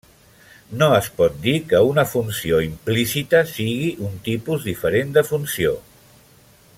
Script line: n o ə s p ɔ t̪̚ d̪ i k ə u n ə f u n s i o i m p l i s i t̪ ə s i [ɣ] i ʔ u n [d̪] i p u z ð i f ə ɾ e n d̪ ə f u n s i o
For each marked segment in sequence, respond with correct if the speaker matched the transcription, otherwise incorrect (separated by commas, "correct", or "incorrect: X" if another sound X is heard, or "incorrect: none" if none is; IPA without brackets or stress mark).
correct, incorrect: t̪